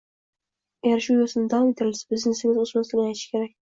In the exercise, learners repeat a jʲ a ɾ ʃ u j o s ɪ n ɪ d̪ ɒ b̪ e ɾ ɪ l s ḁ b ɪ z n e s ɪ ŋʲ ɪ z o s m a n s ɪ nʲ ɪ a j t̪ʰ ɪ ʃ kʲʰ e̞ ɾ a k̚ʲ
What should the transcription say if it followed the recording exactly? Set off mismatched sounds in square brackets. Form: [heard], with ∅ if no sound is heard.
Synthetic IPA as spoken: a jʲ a ɾ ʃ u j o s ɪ n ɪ d̪ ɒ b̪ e ɾ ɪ l s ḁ b ɪ z n e s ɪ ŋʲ ɪ z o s m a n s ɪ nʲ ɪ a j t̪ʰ ɪ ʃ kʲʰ e̞ ɾ a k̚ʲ